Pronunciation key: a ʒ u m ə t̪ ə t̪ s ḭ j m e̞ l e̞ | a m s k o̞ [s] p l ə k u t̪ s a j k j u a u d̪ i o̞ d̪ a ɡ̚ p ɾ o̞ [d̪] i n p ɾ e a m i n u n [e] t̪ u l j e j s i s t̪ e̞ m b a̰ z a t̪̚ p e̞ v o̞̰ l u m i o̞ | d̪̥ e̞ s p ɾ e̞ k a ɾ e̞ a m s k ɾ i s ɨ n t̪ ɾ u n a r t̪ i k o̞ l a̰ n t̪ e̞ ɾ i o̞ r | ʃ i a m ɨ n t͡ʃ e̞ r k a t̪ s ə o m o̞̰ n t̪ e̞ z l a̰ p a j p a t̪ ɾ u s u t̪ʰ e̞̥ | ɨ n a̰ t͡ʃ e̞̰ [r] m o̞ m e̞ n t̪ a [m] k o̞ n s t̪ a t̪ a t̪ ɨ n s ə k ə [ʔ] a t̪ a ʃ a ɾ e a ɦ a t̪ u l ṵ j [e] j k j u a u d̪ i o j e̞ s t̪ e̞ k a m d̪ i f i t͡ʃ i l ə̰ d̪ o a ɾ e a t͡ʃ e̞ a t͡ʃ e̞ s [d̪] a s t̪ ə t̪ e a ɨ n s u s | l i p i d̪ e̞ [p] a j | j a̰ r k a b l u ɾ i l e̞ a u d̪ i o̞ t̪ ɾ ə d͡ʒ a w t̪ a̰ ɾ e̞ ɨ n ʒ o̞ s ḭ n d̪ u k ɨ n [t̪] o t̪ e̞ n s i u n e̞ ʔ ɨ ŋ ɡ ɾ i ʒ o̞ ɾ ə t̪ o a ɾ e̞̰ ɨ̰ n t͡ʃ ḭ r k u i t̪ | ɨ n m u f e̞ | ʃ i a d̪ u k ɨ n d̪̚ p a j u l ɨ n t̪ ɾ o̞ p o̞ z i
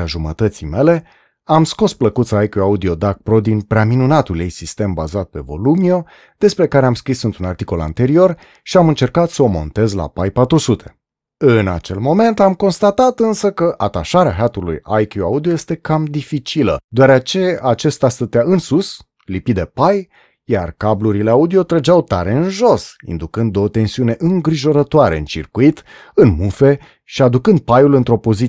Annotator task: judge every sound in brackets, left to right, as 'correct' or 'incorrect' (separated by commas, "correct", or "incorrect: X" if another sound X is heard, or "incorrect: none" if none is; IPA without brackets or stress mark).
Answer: correct, correct, incorrect: a, incorrect: l, correct, correct, incorrect: a, incorrect: t̪, correct, incorrect: d̪